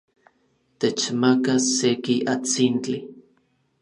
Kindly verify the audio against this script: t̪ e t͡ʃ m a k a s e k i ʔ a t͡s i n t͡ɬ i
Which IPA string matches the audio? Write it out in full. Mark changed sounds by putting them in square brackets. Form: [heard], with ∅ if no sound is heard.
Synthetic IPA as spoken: t̪ e t͡ʃ m a k a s e k i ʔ a t͡s i n t͡ɬ i